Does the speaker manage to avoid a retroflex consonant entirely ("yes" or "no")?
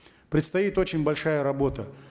no